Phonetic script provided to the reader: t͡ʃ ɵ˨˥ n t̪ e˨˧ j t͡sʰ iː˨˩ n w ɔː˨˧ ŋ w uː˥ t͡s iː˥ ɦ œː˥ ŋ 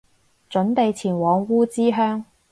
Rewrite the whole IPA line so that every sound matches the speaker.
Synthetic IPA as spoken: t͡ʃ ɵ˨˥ n t̪ e˨˧ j t͡sʰ iː˨˩ n w ɔː˨˧ ŋ w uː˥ t͡s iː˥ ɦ œː˥ ŋ

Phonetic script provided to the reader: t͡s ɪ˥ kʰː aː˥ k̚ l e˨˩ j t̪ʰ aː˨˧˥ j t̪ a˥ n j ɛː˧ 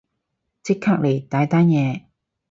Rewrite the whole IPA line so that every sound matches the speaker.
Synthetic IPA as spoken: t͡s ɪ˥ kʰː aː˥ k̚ l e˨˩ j t̪ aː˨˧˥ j t̪ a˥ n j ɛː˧

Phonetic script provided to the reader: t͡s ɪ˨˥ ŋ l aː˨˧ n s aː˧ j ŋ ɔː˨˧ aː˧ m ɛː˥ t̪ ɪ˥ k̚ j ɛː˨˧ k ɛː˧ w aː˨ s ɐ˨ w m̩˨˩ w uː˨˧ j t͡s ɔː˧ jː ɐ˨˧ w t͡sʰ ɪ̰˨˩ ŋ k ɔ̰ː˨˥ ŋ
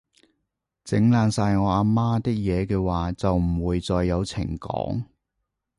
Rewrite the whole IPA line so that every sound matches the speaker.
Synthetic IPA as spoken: t͡s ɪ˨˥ ŋ l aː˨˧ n s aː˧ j ŋ ɔː˨˧ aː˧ m aː˥ t̪ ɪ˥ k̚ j ɛː˨˧ k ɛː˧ w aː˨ t͡s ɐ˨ w m̩˨˩ w uː˨˧ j t͡s ɔː˧ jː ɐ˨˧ w t͡sʰ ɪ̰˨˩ ŋ k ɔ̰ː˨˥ ŋ

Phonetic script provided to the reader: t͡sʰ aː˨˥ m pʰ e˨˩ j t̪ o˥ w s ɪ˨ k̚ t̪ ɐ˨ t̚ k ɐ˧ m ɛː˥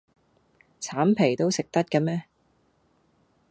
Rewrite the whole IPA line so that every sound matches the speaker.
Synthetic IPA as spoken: t͡sʰ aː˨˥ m pʰ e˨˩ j t̪ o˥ w s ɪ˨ k̚ t̪ ɐ˥ t̚ k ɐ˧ m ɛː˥

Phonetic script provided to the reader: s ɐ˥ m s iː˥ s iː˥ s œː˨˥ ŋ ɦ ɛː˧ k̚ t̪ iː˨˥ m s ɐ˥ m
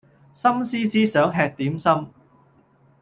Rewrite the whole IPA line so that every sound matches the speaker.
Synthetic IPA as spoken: s ɐ˥ m s iː˥ s iː˥ s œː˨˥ ŋ ɦ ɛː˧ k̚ t̪ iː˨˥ m s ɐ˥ m

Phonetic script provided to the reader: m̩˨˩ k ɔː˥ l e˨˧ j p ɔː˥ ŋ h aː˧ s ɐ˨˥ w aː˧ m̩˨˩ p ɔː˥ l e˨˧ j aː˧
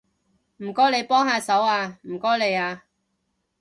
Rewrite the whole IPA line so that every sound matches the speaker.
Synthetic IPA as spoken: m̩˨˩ k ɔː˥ l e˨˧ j p ɔː˥ ŋ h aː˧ s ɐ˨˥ w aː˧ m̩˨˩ k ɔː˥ l e˨˧ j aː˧

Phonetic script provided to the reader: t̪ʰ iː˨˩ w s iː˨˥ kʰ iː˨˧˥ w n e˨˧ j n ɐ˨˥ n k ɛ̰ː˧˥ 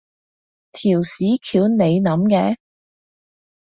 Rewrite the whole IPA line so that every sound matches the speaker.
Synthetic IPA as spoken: t̪ʰ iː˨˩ w s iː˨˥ kʰ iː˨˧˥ w n e˨˧ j n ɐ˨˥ m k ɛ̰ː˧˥

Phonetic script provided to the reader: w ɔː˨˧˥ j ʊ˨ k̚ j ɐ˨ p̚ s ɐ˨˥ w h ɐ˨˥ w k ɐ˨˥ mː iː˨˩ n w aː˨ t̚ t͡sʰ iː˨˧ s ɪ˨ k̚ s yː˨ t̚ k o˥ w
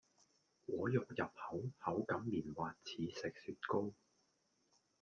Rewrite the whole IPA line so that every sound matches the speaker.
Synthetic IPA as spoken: w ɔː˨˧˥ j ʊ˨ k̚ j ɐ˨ p̚ h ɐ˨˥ w h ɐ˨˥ w k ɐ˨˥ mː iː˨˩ n w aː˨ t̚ t͡sʰ iː˨˧ s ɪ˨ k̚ s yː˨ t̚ k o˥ w

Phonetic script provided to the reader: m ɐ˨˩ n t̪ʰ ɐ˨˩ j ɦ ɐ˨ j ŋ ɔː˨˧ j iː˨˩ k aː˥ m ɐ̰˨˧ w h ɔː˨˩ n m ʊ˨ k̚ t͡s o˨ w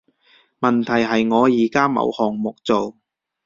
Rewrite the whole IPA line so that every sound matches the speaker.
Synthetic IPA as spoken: m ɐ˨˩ n t̪ʰ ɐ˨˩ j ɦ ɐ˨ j ŋ ɔː˨˧ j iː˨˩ k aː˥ m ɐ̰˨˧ w h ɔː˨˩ ŋ m ʊ˨ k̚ t͡s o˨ w

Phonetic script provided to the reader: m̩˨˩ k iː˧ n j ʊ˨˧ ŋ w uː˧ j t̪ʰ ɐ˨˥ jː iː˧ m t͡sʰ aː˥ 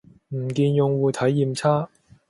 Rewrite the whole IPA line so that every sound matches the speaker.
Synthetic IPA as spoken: m̩˨˩ k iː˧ n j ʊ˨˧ ŋ w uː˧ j t̪ʰ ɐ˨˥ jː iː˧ m t͡sʰ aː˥

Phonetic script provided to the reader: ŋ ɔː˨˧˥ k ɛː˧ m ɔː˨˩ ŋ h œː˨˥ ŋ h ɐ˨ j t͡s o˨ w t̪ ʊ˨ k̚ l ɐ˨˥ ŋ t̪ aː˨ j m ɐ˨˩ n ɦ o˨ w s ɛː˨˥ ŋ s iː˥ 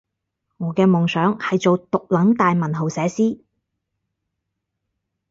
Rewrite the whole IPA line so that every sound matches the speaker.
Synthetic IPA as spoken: ŋ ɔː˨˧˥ k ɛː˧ m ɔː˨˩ ŋ s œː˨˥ ŋ h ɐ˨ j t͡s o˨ w t̪ ʊ˨ k̚ l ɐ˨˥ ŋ t̪ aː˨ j m ɐ˨˩ n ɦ o˨ w s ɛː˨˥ s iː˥

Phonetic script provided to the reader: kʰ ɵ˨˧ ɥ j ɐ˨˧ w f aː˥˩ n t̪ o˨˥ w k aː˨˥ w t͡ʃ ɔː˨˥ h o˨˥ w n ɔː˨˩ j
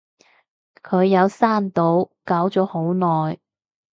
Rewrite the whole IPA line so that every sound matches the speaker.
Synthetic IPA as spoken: kʰ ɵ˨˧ ɥ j ɐ˨˧ w s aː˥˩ n t̪ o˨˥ w k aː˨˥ w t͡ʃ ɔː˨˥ h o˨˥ w n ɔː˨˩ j

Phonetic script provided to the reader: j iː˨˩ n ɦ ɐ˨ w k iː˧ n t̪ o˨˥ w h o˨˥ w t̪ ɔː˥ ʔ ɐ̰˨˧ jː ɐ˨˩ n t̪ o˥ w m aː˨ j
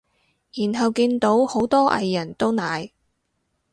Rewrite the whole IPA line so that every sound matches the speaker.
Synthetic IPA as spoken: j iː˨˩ n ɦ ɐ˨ w k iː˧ n t̪ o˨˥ w h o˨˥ w t̪ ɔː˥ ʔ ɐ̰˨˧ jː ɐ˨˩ n t̪ o˥ w n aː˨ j

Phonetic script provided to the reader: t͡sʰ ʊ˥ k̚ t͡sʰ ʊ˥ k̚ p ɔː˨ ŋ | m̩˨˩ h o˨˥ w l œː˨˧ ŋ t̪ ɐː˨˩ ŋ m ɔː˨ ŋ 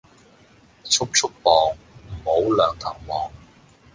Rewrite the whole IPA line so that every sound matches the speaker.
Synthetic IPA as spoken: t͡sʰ ʊ˥ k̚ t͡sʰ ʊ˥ k̚ p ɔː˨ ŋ | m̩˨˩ h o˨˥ w l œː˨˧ ŋ t̪ʰ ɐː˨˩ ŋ m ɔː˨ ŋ

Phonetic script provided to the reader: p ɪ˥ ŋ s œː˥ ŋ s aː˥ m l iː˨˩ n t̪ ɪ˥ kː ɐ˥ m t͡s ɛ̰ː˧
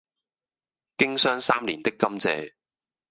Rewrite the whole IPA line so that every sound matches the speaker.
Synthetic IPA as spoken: k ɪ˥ ŋ s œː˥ ŋ s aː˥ m l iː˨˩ n t̪ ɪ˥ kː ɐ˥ m t͡s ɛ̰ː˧

